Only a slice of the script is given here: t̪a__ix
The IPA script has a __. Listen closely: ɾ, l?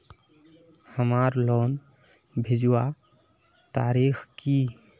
ɾ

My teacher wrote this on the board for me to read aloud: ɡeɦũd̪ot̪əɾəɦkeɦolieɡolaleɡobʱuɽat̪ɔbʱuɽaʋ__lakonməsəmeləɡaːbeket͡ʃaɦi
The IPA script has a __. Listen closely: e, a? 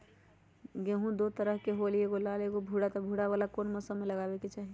a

